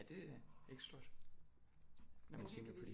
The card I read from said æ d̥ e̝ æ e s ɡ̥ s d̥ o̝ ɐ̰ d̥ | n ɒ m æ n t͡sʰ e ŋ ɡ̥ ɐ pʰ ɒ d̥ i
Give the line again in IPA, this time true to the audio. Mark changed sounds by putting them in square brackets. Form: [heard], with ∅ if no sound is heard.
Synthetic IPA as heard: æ d̥ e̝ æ e [∅] ɡ̥ s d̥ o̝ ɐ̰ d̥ | n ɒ m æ n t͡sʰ e ŋ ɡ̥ ɐ pʰ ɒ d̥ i